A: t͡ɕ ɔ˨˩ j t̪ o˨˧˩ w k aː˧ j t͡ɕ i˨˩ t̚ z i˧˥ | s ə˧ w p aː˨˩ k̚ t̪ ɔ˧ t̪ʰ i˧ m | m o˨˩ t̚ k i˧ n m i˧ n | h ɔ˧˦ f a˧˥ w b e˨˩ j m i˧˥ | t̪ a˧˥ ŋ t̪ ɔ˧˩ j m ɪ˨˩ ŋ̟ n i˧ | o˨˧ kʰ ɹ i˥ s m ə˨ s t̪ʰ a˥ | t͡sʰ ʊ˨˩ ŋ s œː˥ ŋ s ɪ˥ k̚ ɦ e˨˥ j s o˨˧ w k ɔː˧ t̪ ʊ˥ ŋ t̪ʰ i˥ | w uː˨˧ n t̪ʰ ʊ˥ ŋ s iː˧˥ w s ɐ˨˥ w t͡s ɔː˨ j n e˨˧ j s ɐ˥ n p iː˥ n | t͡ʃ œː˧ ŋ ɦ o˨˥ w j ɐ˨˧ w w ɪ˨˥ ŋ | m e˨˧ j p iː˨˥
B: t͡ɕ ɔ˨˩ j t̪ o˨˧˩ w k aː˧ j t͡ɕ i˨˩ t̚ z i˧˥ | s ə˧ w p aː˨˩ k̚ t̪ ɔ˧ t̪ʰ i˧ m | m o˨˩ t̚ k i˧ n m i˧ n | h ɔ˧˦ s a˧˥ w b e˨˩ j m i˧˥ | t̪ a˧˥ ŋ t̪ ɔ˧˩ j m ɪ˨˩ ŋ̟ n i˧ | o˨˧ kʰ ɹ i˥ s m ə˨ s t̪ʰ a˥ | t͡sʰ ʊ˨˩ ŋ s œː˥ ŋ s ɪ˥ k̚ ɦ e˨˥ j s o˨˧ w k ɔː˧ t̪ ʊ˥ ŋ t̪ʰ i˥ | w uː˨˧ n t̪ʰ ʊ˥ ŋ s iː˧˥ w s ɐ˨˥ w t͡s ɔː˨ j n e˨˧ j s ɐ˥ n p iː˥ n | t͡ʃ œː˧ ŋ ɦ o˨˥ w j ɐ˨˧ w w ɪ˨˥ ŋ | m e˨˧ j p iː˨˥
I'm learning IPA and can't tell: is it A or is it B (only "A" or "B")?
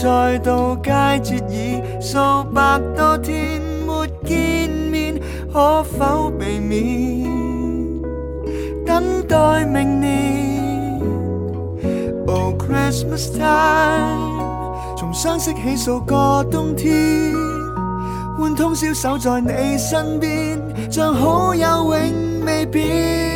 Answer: A